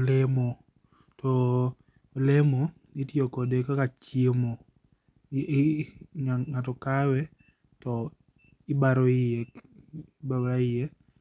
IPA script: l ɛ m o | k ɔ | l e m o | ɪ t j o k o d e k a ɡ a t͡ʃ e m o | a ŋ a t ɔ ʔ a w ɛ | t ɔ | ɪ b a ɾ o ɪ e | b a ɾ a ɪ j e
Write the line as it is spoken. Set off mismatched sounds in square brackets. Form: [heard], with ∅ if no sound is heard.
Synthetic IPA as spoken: l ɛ m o | [t] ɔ | l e m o | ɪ t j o k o d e k a [k] a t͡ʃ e m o | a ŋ a t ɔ [k] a w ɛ | t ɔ | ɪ b a ɾ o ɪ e | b a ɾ a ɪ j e